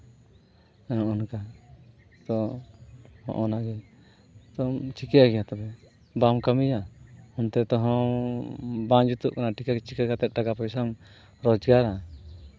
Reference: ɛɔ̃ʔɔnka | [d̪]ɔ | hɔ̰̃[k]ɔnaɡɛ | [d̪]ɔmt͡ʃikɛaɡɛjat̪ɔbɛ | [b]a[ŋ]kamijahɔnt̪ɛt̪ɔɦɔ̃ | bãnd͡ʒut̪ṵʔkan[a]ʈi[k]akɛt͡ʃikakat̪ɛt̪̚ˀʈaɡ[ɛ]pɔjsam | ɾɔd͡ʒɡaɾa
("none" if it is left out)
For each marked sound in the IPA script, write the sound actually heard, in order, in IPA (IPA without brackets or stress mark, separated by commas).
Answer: t̪, ʔ, t̪, b, m, a, k, a